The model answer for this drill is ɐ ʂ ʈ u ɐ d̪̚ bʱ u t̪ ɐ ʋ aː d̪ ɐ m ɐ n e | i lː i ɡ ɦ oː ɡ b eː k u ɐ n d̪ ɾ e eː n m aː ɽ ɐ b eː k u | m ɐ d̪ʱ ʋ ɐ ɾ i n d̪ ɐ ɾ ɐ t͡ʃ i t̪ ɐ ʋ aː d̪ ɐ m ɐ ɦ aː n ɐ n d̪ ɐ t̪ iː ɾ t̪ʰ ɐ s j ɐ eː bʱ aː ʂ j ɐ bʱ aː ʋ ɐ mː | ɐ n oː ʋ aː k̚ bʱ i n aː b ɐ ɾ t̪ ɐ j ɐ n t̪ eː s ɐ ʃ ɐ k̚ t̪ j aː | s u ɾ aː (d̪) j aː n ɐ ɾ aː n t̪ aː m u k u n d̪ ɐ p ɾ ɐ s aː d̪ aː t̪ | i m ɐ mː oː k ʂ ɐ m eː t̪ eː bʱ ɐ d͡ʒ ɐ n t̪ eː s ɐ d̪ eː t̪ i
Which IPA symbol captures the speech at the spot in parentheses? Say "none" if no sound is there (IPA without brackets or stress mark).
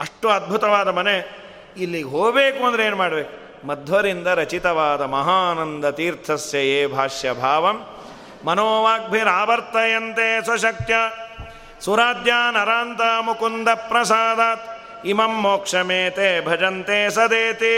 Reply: d̪